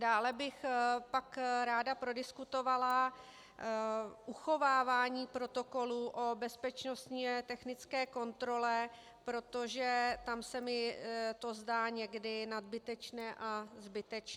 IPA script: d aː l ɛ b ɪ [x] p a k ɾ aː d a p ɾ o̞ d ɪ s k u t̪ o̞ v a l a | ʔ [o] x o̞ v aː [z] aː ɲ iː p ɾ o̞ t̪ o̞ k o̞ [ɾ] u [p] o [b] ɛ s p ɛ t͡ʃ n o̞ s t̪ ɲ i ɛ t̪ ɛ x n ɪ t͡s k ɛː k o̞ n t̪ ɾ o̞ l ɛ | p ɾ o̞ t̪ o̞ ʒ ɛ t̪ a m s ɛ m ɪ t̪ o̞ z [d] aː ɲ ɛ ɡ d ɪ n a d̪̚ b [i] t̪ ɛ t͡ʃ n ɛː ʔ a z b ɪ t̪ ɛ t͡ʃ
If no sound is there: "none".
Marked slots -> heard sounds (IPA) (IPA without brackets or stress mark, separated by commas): x, u, v, l, ʔ, b, d, ɪ